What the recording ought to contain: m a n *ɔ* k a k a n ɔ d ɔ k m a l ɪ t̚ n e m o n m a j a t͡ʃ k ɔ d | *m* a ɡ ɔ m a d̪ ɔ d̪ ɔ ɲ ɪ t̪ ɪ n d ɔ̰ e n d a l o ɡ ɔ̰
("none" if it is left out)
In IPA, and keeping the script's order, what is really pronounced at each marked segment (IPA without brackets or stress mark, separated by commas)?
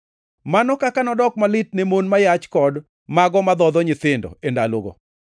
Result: ɔ, m